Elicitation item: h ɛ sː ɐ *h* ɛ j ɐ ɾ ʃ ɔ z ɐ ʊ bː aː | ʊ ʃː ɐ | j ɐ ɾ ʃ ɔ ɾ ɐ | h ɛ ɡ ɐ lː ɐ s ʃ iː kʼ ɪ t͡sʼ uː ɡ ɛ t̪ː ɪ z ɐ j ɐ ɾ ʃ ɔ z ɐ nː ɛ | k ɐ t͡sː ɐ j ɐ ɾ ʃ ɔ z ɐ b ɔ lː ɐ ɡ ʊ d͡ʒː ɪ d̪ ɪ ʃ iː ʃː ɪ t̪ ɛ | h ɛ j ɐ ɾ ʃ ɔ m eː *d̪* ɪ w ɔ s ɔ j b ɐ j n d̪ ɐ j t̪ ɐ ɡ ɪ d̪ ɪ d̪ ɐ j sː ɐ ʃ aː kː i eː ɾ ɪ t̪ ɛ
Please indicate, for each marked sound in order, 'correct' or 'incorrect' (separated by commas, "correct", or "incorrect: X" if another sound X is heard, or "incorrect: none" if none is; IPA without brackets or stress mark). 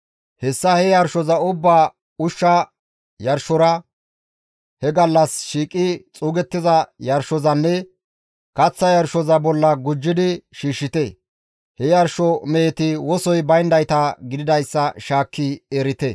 correct, incorrect: t̪